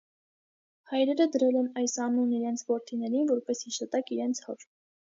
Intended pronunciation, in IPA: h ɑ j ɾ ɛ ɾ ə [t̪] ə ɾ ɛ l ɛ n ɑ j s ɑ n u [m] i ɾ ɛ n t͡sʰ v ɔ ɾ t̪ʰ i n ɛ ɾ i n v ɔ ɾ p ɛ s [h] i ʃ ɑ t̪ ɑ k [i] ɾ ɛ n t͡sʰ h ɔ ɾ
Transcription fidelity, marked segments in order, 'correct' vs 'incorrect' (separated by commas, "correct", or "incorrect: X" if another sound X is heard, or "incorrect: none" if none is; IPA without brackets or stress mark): incorrect: d̪, incorrect: n, correct, correct